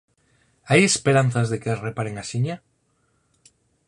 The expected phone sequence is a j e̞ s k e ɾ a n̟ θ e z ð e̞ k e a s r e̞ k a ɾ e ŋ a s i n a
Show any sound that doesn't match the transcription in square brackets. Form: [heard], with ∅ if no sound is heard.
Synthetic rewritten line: a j e̞ s [p] e ɾ a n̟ θ [a] z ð e̞ k e a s r e̞ [p] a ɾ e ŋ a s i [ɲ] a